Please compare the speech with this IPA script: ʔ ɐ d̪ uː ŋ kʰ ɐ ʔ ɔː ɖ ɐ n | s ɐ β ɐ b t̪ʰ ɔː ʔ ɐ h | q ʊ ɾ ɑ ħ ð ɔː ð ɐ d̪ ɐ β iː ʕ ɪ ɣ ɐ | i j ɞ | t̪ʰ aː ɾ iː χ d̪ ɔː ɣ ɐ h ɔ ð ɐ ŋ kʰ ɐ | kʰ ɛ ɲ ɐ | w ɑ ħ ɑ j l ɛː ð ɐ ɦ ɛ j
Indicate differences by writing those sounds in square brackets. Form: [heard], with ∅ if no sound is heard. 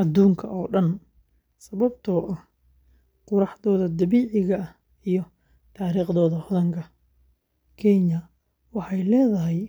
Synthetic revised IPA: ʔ ɐ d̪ uː ŋ kʰ ɐ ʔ ɔː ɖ ɐ n | s ɐ β ɐ b t̪ʰ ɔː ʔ ɐ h | q ʊ ɾ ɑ ħ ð ɔː ð ɐ d̪ ɐ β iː ʕ ɪ ɣ ɐ | i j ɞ | t̪ʰ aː ɾ iː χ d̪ ɔː [ð] ɐ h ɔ ð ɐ ŋ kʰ ɐ | kʰ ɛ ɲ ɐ | w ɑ ħ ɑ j l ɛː ð ɐ ɦ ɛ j